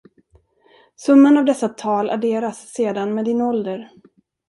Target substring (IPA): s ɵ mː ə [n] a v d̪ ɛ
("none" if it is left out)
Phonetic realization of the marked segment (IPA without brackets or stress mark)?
n